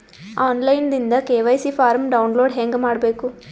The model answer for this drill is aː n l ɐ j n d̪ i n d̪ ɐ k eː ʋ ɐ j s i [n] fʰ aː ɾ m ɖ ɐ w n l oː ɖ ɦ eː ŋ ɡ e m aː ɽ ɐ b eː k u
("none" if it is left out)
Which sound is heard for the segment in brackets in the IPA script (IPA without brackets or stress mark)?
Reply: none